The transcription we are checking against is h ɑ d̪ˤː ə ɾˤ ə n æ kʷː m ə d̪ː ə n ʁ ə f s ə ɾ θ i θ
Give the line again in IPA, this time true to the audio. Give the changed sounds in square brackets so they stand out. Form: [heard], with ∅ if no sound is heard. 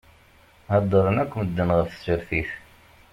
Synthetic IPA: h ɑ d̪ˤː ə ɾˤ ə n æ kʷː m ə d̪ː ə n ʁ ə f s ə ɾ θ i θ